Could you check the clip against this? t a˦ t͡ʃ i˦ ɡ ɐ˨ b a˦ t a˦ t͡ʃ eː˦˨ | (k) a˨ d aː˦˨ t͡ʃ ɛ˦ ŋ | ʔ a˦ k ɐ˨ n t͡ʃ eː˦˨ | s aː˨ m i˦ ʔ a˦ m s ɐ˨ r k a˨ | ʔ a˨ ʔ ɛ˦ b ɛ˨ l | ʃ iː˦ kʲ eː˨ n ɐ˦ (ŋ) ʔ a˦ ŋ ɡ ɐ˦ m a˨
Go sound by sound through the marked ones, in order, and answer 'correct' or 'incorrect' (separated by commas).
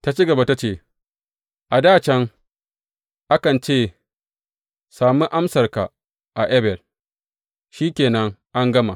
incorrect, correct